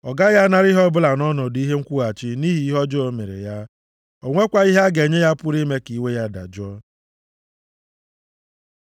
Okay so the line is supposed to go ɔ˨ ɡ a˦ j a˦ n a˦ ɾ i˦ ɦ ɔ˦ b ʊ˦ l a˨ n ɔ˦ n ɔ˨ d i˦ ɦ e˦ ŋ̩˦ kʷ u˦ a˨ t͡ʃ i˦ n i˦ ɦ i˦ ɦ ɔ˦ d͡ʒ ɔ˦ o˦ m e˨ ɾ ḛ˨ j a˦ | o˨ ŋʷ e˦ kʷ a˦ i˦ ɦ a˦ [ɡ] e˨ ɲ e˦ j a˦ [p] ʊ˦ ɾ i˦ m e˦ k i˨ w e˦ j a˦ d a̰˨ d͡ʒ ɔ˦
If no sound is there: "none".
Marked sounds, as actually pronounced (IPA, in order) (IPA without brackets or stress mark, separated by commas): ɡ, p